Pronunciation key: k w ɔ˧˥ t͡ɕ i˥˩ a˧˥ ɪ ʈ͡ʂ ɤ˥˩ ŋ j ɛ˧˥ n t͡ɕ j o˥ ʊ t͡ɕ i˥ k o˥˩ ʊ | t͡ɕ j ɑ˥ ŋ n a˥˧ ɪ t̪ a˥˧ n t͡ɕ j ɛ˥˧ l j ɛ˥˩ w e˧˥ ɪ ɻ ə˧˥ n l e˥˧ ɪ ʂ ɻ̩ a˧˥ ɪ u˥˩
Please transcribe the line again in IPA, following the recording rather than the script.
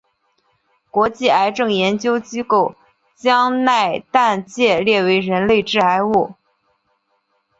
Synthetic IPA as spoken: k w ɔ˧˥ t͡ɕ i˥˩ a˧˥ ɪ ʈ͡ʂ ɤ˥˩ ŋ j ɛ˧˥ n t͡ɕ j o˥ ʊ t͡ɕ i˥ k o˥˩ ʊ | t͡ɕ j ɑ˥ ŋ n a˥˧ ɪ t̪ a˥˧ n t͡ɕ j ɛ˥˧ l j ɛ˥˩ w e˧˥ ɪ ɻ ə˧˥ n l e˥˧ ɪ ʈ͡ʂ ɻ̩ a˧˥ ɪ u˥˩

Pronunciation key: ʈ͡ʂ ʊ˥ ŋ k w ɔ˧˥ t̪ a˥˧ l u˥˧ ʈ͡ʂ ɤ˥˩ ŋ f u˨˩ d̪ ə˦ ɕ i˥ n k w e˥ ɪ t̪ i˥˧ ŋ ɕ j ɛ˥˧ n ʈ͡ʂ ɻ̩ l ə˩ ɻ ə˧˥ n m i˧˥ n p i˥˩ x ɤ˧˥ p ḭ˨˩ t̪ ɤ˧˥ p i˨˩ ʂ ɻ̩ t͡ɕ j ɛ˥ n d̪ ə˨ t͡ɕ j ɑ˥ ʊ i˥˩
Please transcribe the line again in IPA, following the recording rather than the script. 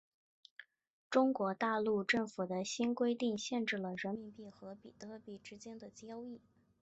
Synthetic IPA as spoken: ʈ͡ʂ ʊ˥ ŋ k w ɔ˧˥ t̪ a˥˧ l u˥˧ ʈ͡ʂ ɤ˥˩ ŋ f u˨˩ d̪ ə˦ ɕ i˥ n k w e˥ ɪ t̪ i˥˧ ŋ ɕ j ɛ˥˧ n ʈ͡ʂ ɻ̩ l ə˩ ɻ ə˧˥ n m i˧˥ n p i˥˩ x ɤ˧˥ p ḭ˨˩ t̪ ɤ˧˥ p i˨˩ ʈ͡ʂ ɻ̩ t͡ɕ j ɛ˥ n d̪ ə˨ t͡ɕ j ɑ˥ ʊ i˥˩

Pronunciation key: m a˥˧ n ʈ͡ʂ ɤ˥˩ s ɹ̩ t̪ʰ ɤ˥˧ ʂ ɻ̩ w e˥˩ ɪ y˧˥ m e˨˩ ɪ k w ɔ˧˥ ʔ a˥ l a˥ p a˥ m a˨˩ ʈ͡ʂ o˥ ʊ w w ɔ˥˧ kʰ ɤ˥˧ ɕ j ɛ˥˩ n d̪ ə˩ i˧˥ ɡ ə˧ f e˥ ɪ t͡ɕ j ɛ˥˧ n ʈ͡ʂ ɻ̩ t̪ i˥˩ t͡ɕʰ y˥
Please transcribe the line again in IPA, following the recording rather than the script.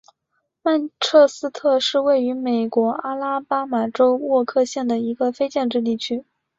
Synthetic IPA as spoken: m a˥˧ n ʈ͡ʂʰ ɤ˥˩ s ɹ̩ t̪ʰ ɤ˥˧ ʂ ɻ̩ w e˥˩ ɪ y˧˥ m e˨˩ ɪ k w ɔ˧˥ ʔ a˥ l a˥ p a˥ m a˨˩ ʈ͡ʂ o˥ ʊ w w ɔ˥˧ kʰ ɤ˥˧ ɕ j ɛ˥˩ n d̪ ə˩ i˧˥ ɡ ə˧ f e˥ ɪ t͡ɕ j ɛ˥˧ n ʈ͡ʂ ɻ̩ t̪ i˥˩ t͡ɕʰ y˥

